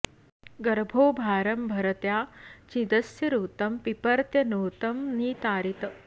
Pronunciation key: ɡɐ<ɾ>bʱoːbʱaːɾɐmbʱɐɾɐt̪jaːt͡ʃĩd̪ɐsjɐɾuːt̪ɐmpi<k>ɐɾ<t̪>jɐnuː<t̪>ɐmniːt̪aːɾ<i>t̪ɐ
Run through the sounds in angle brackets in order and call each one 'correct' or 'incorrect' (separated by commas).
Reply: correct, incorrect, correct, correct, correct